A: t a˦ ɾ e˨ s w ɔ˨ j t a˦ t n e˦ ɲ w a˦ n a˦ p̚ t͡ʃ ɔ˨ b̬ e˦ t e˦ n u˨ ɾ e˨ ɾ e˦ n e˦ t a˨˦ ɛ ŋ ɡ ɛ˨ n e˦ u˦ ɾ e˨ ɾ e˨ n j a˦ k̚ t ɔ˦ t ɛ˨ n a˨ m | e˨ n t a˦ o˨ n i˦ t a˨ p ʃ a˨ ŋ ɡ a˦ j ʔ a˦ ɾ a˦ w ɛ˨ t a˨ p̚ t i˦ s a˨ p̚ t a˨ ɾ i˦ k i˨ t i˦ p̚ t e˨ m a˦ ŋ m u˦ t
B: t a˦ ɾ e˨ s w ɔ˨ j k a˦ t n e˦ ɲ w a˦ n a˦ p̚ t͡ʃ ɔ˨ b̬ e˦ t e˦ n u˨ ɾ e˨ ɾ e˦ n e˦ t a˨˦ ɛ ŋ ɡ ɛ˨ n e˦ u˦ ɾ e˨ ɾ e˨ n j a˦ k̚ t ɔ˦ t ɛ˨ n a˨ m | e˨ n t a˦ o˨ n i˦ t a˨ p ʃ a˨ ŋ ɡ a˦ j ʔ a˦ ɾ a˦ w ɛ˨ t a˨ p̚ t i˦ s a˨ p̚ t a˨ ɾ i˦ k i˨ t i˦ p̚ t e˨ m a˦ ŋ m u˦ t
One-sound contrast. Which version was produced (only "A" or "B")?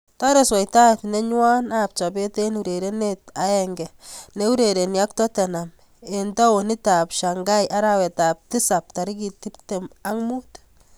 A